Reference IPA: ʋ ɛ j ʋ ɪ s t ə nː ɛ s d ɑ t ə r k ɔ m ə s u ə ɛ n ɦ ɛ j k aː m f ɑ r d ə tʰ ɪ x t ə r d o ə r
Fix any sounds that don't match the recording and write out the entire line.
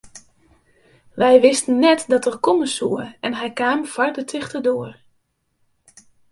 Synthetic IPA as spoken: ʋ ɛ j ʋ ɪ s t ə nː ɛ t d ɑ t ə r k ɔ m ə s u ə ɛ n ɦ ɛ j k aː m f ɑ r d ə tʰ ɪ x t ə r d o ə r